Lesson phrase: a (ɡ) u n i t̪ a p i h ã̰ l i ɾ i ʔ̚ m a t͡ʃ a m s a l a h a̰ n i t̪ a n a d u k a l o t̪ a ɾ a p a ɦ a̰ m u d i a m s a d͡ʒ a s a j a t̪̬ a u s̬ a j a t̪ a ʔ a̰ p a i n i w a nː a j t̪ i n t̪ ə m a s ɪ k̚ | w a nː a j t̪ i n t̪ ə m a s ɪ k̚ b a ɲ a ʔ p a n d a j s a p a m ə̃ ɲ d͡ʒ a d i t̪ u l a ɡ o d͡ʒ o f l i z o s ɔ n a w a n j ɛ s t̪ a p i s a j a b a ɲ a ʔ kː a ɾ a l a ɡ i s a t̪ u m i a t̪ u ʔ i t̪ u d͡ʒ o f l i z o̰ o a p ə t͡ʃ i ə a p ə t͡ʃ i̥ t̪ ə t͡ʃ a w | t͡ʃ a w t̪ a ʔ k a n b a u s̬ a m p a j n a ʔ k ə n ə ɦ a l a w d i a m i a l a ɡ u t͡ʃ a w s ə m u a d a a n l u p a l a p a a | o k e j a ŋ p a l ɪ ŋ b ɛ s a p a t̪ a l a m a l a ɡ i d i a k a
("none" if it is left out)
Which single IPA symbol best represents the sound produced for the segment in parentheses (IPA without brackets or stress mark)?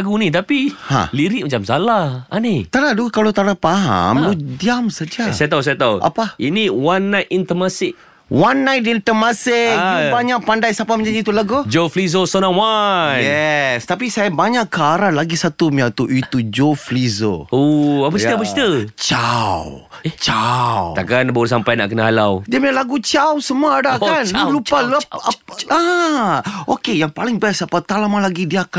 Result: ɡ